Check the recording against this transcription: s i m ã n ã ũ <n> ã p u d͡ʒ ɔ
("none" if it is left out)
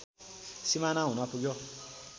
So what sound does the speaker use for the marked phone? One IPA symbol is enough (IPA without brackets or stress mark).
n